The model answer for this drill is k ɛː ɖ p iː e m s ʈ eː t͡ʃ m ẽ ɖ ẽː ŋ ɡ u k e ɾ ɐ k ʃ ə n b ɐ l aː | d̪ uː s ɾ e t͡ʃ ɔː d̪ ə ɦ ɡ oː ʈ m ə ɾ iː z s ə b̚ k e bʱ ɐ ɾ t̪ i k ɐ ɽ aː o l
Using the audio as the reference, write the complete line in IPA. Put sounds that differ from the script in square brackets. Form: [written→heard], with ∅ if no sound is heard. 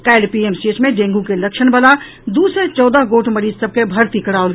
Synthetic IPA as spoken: k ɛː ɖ p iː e m s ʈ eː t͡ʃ m ẽ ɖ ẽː ŋ ɡ u k e [ɾ→l] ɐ k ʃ ə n b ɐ l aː | d̪ uː s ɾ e t͡ʃ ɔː d̪ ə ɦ ɡ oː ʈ m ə ɾ iː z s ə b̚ k e bʱ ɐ ɾ t̪ i k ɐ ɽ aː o l